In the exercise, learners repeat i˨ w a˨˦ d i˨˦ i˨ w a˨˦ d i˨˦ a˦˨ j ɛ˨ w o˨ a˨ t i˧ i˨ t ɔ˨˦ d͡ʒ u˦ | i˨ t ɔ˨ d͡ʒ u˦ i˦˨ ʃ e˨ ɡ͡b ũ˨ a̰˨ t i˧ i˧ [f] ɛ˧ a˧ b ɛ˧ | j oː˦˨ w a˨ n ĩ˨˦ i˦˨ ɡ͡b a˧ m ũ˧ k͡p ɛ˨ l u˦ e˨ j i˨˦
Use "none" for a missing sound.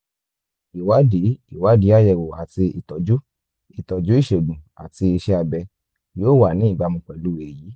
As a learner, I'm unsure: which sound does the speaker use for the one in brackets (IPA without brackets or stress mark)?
ʃ